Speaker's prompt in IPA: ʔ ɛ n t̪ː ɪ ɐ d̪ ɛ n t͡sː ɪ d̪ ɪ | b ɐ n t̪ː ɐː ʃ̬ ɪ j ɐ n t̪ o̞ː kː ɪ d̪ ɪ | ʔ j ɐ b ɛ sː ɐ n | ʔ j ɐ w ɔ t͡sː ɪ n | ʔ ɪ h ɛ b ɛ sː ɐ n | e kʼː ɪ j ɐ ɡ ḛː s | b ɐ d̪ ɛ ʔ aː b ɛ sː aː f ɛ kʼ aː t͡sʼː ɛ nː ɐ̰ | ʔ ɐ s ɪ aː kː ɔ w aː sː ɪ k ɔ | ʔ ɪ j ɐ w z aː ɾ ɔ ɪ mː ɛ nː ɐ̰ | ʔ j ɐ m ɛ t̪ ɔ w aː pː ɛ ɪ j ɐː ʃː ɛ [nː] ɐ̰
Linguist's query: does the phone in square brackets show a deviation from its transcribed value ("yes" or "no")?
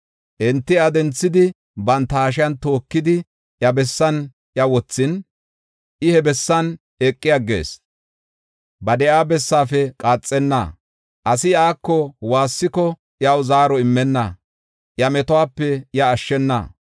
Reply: no